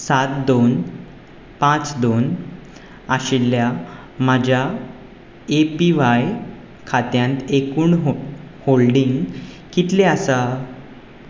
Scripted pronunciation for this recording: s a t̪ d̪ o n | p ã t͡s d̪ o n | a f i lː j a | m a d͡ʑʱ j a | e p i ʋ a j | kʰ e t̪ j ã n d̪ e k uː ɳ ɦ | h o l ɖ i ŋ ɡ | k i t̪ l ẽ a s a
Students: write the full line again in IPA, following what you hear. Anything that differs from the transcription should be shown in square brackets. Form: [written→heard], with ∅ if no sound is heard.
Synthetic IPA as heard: s a t̪ d̪ o n | p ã t͡s d̪ o n | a [f→ɕ] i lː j a | m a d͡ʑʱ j a | e p i ʋ a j | kʰ [e→a] t̪ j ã n [d̪→t̪] e k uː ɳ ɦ | h o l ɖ i ŋ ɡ | k i t̪ l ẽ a s a